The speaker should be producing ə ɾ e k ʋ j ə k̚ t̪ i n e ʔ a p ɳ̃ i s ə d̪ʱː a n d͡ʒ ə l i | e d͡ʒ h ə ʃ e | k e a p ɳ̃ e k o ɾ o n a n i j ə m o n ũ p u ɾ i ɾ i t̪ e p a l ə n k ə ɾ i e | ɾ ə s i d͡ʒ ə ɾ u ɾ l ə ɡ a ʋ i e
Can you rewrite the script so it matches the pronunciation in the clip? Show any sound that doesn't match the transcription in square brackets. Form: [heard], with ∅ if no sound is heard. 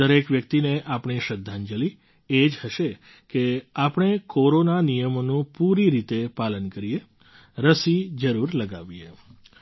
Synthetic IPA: ə ɾ e k ʋ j ə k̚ t̪ i n e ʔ a p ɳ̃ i [ʃ] ə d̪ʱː a n d͡ʒ ə l i | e d͡ʒ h ə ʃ e | k e a p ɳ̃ e k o ɾ o n a n i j ə m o n ũ p u ɾ i ɾ i t̪ e p a l ə n k ə ɾ i e | ɾ ə s i d͡ʒ ə ɾ u ɾ l ə ɡ a ʋ i e